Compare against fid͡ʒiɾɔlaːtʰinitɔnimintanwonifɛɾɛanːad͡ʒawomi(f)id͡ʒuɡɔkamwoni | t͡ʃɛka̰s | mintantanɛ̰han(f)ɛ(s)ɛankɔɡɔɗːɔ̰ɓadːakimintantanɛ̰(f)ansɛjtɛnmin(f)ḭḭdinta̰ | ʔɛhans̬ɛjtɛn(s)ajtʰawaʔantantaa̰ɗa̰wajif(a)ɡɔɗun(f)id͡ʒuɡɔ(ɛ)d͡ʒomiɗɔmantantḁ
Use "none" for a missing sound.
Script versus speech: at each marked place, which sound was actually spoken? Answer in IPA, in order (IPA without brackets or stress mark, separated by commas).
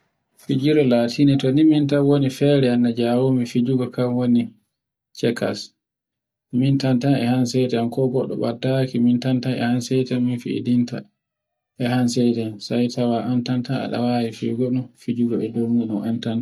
f, s, t, h, f, s, i, f, ɛ